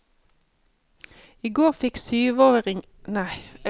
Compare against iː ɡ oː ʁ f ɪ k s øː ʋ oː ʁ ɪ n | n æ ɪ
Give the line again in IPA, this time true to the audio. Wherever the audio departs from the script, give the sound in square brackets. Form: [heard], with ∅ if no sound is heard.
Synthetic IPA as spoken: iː ɡ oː ʁ f ɪ k s [yː] ʋ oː ʁ ɪ [ŋ] | n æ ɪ